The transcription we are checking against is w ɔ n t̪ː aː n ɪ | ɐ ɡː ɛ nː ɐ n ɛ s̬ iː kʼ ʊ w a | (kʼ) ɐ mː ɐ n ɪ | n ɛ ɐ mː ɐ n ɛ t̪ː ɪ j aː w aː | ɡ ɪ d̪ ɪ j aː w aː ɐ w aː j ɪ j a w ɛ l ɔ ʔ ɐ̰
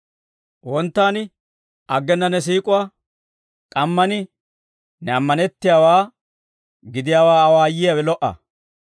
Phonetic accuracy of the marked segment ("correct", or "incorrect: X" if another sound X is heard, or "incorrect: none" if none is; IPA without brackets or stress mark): correct